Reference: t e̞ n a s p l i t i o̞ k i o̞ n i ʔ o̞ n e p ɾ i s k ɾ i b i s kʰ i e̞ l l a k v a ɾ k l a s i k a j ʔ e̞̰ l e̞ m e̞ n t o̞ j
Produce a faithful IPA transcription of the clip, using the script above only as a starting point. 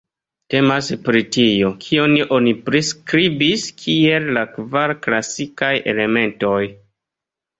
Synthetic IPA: t e̞ m a s p ɾ i t i o̞ kʰ i o̞ n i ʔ o̞ n i p ɾ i s k ɾ i b i s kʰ i e̞ l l a k v a ɾ k l a s i k a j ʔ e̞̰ l e̞ m e̞ n t o̞ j